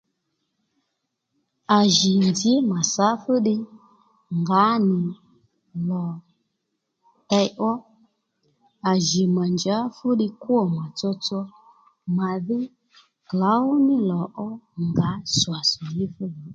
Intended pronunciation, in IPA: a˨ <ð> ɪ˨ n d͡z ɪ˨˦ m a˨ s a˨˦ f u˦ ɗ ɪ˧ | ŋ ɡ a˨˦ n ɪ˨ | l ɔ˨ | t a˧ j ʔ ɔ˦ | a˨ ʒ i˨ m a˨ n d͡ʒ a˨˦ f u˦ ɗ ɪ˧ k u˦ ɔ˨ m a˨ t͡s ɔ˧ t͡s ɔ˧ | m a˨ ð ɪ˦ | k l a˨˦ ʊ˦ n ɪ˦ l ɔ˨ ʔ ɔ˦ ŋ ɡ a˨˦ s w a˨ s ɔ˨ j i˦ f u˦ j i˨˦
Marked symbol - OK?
no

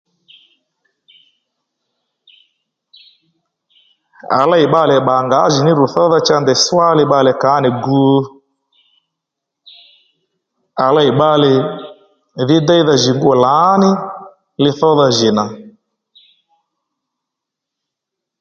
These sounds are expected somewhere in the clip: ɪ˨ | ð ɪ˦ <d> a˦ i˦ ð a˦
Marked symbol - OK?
yes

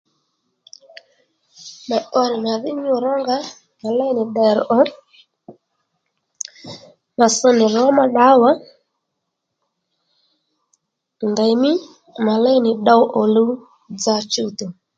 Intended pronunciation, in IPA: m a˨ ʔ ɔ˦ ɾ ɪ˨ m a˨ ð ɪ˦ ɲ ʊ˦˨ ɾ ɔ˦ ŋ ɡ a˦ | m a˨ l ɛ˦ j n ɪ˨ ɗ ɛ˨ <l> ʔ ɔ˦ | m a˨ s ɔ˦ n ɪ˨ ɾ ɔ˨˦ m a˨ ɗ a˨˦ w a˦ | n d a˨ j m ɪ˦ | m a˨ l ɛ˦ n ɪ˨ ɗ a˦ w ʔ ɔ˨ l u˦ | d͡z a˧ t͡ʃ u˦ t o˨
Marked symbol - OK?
no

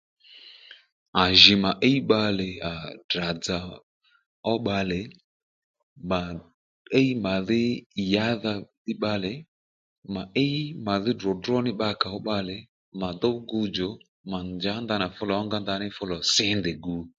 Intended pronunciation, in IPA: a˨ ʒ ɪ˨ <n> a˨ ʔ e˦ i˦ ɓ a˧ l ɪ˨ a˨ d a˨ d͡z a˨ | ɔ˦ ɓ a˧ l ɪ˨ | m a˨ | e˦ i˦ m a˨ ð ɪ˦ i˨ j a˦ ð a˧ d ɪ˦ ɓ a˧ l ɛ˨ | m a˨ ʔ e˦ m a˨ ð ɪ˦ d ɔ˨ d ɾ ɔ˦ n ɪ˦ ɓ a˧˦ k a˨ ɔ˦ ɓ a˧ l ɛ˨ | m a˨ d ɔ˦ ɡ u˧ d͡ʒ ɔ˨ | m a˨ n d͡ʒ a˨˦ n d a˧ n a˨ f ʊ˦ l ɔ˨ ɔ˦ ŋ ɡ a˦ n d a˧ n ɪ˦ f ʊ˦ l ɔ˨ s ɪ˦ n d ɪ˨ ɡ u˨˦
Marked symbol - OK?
no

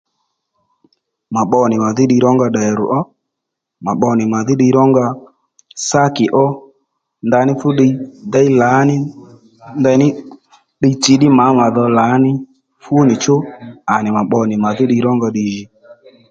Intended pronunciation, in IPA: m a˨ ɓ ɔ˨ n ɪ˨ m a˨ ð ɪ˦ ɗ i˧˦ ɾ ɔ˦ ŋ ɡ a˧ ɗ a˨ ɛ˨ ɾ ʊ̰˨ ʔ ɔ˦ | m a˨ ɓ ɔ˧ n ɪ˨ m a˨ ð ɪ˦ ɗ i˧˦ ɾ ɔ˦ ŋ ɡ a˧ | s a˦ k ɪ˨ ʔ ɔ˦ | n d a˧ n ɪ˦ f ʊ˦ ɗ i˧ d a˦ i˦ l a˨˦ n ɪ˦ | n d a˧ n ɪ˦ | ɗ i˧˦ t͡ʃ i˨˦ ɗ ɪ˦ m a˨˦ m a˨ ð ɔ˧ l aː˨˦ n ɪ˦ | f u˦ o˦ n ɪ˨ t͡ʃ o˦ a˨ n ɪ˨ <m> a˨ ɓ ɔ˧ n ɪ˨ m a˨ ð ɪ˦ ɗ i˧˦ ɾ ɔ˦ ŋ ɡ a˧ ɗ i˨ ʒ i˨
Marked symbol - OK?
yes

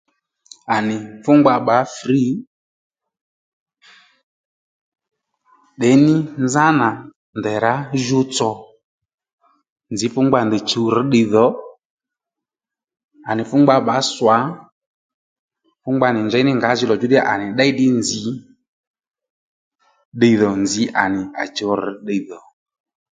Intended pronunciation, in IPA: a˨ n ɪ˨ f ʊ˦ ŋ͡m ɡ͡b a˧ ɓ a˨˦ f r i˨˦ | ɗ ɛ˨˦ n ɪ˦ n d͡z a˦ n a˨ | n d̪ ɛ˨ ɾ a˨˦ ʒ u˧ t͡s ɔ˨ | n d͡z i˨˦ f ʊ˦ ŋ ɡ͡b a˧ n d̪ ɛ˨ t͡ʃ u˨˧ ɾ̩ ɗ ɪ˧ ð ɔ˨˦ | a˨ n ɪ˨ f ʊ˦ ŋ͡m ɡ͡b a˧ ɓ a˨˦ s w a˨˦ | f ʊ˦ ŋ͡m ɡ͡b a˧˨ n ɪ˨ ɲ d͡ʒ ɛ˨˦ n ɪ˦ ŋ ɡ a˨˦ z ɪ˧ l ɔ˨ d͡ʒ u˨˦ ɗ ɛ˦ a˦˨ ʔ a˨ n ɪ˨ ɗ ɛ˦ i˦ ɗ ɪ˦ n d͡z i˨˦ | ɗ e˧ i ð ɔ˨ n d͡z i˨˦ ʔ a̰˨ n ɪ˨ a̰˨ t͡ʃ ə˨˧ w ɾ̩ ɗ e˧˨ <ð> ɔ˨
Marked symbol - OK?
yes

